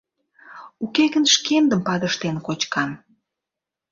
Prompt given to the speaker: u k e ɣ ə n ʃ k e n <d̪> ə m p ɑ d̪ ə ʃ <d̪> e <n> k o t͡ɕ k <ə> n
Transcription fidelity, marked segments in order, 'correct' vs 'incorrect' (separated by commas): correct, incorrect, correct, incorrect